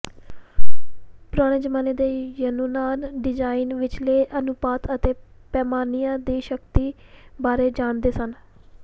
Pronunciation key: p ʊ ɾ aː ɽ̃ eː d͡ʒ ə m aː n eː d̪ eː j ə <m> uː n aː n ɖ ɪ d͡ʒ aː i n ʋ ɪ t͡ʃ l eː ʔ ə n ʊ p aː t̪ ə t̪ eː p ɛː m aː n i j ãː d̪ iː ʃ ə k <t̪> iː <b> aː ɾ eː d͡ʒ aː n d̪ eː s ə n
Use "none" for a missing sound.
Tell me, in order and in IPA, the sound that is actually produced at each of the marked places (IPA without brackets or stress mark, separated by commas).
n, t̪, b